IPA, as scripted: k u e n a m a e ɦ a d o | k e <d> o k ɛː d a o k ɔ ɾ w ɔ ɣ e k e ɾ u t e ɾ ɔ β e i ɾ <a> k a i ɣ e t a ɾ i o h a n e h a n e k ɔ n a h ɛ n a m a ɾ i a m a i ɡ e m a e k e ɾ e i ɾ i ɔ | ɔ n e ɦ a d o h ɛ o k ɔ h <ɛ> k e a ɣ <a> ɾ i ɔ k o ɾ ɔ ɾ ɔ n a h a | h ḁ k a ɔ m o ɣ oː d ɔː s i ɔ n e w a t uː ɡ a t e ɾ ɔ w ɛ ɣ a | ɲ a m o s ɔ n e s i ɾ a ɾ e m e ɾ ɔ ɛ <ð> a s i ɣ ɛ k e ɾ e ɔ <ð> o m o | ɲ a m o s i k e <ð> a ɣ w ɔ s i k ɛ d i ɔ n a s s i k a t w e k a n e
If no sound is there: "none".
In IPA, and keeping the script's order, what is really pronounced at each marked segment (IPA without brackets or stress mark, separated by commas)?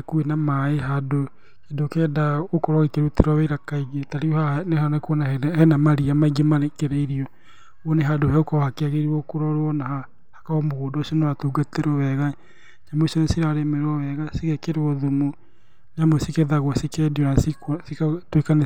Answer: d, a, a, e, ɣ, ð, ð